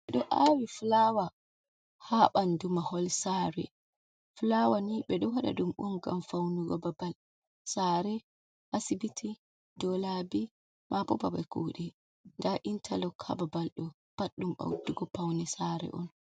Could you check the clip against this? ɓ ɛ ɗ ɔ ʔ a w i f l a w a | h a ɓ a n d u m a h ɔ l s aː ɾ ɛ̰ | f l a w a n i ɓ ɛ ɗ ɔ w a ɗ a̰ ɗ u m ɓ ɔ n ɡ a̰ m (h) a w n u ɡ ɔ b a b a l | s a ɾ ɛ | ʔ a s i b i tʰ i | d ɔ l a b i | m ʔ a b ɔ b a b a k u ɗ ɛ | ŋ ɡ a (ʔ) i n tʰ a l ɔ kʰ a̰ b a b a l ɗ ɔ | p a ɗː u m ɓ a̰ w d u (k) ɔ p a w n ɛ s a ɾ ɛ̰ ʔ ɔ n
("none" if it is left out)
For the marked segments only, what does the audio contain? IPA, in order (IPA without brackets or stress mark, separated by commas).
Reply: f, ʔ, ɡ